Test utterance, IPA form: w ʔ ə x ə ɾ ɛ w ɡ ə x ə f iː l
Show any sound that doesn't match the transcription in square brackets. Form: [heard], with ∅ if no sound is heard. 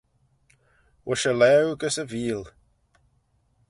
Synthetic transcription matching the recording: w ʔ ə [ʃ] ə [l] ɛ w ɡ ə [s] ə [v] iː l